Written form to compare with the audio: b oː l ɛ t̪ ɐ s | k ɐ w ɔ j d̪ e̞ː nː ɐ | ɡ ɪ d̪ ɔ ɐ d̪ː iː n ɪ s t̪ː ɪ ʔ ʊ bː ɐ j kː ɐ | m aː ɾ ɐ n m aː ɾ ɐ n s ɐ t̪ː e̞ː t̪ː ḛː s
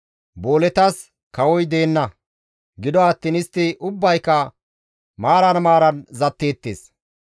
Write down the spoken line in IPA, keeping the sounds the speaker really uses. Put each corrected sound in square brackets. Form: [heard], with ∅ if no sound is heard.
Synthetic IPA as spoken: b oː l ɛ t̪ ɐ s | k ɐ w ɔ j d̪ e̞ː nː ɐ | ɡ ɪ d̪ ɔ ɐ [t̪ː] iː n ɪ s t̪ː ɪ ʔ ʊ bː ɐ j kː ɐ | m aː ɾ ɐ n m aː ɾ ɐ n [z] ɐ t̪ː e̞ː t̪ː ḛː s